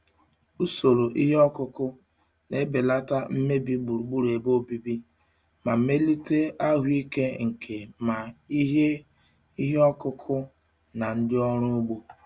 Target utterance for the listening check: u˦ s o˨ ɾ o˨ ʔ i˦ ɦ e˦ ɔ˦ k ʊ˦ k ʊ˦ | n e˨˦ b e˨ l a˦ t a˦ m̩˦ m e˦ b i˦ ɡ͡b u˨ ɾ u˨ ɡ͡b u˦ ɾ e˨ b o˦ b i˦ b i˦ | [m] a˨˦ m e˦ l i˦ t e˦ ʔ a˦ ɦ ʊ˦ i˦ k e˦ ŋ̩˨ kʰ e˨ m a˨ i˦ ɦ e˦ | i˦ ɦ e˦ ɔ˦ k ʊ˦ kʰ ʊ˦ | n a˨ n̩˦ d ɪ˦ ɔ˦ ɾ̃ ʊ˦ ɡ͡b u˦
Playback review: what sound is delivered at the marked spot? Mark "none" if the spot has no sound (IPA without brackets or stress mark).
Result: m